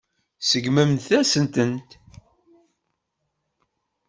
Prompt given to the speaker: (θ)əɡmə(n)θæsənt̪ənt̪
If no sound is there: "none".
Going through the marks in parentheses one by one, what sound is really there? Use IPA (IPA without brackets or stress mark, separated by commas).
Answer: s, m